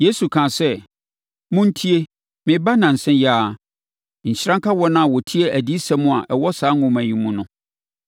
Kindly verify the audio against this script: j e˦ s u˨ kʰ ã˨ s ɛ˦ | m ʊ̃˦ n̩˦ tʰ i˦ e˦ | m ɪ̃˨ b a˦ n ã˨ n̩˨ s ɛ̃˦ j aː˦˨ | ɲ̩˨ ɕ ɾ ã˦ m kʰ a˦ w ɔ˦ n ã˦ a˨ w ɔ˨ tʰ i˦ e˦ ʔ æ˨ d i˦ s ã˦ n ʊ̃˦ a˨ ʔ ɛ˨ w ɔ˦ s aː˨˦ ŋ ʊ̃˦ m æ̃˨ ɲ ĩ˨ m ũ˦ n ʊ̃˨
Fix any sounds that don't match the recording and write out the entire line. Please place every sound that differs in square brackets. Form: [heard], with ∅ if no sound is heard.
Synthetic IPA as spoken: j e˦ s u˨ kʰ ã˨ s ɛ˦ | m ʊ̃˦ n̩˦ tʰ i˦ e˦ | m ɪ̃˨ b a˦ n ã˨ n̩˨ s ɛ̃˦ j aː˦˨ | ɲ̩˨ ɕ ɾ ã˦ [ŋ] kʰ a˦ w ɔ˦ n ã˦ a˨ w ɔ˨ tʰ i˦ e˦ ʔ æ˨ d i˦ s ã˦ [m] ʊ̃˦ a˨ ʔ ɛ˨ w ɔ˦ s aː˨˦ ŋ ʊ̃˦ m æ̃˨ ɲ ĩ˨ m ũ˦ n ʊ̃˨